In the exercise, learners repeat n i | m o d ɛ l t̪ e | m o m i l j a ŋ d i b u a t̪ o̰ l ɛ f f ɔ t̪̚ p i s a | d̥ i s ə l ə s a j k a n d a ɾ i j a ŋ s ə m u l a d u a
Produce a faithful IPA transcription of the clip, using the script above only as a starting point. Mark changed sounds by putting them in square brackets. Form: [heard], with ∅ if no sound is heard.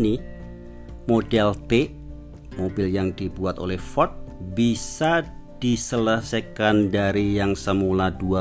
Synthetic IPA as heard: n i | m o d ɛ l t̪ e | m o [b] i l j a ŋ d i b u a t̪ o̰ l ɛ [h] f ɔ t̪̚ [b] i s a | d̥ i s ə l ə s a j k a n d a ɾ i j a ŋ s ə m u l a d u a